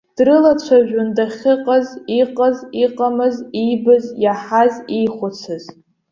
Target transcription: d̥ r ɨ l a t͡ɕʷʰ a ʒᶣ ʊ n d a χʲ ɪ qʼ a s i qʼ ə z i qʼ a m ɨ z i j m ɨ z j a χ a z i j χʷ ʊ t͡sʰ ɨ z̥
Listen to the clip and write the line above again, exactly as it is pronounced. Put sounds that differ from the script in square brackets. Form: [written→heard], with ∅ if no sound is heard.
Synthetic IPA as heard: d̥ r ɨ l a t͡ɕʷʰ a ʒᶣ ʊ n d a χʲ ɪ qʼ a [s→z] i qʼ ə z i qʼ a m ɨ z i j [m→b] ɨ z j a [χ→ħ] a z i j χʷ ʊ t͡sʰ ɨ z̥